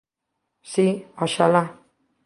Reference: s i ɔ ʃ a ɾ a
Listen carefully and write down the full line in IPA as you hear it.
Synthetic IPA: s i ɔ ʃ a l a